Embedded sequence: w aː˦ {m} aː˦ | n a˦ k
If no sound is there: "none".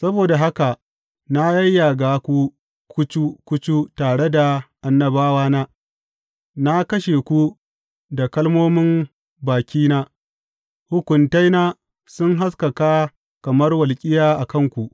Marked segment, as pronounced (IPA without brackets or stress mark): n